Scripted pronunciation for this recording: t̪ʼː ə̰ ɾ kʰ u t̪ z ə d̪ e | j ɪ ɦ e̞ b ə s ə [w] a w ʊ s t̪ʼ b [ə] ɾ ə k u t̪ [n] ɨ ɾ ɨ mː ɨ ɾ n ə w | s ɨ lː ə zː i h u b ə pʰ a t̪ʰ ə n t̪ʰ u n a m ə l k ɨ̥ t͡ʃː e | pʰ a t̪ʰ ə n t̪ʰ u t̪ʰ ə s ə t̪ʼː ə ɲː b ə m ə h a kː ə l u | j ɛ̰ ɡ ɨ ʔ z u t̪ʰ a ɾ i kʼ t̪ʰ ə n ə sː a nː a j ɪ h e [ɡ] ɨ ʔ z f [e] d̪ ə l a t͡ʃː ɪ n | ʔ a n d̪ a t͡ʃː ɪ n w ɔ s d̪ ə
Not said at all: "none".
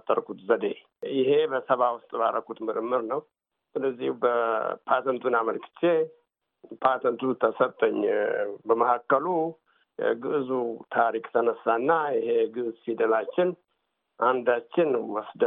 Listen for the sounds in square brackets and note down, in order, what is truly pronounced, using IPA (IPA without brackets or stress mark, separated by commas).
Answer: β, a, m, ɡ, i